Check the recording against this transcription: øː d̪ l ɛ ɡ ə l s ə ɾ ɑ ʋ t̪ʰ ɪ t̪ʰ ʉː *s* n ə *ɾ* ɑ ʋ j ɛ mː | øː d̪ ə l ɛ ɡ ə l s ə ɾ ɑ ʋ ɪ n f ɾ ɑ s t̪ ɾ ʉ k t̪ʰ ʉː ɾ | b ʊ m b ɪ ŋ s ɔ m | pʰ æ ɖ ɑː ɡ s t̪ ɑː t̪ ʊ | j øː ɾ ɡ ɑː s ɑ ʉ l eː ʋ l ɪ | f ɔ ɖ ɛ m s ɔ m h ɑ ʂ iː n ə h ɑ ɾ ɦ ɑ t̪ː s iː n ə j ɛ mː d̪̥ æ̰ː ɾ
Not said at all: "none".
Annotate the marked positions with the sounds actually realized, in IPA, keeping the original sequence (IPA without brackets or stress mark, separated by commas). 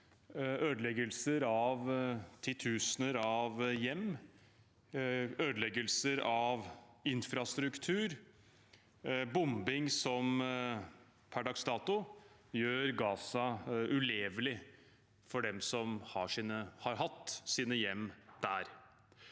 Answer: s, ɾ